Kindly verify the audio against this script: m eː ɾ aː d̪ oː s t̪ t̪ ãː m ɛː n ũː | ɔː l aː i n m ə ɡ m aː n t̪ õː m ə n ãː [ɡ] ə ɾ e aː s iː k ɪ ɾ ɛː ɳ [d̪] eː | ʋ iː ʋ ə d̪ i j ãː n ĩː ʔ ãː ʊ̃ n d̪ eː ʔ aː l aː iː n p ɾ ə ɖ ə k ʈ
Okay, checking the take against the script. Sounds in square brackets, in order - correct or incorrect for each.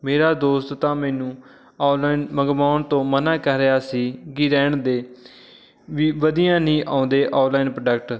incorrect: k, correct

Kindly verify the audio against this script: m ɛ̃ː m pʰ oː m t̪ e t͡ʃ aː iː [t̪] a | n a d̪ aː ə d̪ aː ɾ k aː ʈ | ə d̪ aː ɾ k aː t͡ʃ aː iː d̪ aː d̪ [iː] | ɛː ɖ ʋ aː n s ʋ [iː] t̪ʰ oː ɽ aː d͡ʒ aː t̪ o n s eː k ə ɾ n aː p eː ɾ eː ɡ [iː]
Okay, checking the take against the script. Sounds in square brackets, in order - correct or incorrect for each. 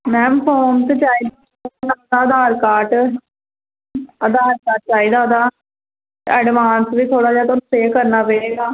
incorrect: d̪, incorrect: aː, correct, incorrect: aː

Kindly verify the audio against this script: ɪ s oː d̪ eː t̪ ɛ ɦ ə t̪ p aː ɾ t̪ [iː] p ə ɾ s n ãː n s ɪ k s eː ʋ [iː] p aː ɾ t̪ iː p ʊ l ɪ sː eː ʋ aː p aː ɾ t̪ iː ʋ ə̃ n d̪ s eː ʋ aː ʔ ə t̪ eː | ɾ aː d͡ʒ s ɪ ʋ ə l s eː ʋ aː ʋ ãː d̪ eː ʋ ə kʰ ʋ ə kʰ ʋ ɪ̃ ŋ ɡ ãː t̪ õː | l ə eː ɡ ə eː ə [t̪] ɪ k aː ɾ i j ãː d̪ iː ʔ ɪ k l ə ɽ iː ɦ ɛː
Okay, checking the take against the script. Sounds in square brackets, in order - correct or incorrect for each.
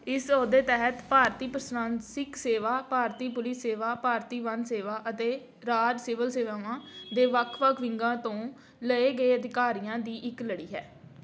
correct, incorrect: aː, incorrect: d̪

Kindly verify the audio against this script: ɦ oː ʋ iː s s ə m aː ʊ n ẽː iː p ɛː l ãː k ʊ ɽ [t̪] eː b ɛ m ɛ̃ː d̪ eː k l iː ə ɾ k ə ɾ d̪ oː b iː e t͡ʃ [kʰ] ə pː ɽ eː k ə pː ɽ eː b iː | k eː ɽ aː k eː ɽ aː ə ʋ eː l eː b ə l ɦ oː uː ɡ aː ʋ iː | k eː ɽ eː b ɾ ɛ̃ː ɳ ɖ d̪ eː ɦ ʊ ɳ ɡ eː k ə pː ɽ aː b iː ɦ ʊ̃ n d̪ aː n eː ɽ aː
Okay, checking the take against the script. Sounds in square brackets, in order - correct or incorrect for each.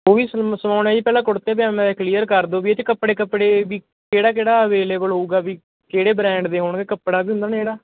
correct, incorrect: k

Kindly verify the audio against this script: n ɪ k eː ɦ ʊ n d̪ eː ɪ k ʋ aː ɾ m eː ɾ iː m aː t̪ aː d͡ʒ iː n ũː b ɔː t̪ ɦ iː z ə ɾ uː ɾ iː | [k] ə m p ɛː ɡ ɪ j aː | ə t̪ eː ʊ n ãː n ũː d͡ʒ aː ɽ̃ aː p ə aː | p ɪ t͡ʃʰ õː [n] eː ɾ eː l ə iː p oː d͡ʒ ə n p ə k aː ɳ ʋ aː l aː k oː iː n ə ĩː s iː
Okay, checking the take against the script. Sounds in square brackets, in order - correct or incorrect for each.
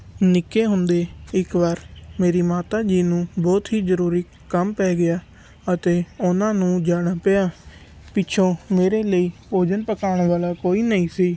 correct, incorrect: m

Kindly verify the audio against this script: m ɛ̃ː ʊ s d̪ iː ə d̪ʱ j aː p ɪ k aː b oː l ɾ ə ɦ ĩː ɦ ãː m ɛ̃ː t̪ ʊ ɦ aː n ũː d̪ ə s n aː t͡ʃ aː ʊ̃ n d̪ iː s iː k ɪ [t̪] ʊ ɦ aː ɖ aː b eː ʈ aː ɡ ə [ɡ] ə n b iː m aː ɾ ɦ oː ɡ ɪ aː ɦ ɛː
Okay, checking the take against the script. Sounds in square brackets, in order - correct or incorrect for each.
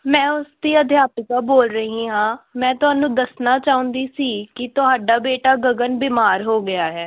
correct, correct

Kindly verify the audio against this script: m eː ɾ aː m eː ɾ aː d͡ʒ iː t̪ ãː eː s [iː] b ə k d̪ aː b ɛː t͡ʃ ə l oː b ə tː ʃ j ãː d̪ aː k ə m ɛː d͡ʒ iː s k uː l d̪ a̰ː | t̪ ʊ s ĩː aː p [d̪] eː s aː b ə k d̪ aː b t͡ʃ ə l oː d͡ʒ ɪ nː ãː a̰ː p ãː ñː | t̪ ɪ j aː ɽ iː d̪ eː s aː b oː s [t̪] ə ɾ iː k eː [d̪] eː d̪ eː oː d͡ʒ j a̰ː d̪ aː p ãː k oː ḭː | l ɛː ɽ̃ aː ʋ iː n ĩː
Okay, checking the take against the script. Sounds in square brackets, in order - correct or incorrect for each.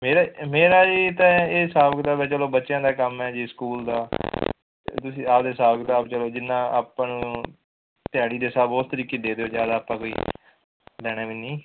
incorrect: aː, correct, correct, correct

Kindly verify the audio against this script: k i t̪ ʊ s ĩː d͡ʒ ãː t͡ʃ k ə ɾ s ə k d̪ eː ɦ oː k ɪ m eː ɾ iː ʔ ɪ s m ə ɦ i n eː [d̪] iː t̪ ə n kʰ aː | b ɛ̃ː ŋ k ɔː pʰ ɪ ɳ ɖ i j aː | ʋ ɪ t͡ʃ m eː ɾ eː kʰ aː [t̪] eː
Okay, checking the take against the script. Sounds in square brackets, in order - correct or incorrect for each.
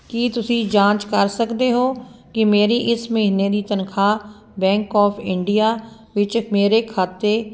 correct, correct

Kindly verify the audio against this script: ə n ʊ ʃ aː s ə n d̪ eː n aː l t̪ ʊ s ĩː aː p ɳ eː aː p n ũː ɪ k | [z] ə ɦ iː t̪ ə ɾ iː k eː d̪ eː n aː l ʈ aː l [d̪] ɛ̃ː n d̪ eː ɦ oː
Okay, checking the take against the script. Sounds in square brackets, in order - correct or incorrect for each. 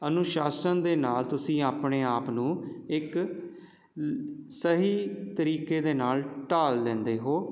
incorrect: s, correct

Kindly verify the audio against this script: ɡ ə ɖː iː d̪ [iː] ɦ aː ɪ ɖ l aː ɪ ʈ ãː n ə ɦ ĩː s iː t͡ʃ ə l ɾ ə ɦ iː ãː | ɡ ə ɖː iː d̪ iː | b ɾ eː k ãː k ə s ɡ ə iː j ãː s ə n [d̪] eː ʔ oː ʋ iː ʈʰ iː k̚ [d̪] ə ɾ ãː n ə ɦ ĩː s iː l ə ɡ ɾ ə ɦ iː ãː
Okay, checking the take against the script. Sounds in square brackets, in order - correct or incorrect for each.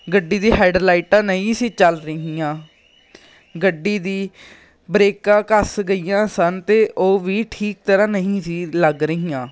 correct, incorrect: t̪, incorrect: t̪

